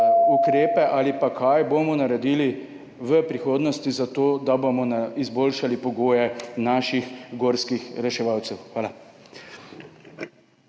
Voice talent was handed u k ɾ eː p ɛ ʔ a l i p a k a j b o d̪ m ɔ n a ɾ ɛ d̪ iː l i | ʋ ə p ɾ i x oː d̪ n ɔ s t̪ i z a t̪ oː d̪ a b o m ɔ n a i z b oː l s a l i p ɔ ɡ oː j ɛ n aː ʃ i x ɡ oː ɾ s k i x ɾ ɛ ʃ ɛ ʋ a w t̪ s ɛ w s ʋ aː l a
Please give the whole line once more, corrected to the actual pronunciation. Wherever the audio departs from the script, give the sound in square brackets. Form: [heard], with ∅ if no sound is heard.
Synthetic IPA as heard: u k ɾ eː p ɛ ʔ a l i p a k a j b o [∅] m ɔ n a ɾ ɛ d̪ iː l i | ʋ ə p ɾ i x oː d̪ n ɔ s t̪ i z a t̪ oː d̪ a b o m ɔ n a i z b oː l [ʃ] a l i p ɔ ɡ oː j ɛ n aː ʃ i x ɡ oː ɾ s k i x ɾ ɛ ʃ ɛ ʋ a w t̪ s ɛ w [x] ʋ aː l a